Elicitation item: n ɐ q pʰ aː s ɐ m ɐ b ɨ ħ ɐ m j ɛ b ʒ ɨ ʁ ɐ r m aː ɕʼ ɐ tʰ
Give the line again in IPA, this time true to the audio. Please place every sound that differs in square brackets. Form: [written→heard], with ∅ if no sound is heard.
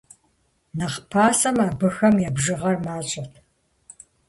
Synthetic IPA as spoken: n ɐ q pʰ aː s ɐ m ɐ b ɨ [ħ→x] ɐ m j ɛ b ʒ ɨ ʁ ɐ r m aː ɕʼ ɐ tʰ